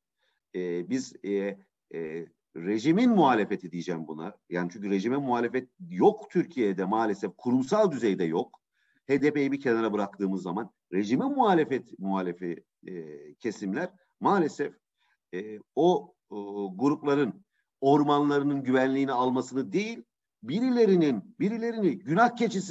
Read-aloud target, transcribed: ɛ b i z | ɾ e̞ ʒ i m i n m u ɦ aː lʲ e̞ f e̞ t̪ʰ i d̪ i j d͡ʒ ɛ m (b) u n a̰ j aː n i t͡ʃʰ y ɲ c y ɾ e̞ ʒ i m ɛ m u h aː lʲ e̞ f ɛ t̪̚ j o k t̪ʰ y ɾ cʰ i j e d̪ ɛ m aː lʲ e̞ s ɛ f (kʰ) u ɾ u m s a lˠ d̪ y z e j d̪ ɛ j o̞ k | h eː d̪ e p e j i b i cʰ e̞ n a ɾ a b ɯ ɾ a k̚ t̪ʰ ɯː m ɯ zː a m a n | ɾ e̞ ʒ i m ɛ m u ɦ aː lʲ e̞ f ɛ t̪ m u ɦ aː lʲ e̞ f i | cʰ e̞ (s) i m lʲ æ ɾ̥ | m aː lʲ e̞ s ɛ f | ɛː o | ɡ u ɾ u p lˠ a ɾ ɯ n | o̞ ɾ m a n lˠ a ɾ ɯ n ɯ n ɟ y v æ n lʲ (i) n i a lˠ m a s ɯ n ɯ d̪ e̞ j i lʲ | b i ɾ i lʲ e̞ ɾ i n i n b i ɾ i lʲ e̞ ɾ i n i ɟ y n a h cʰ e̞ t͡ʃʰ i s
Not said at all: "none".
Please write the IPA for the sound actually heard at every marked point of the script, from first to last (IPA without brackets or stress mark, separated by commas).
b, kʰ, s, iː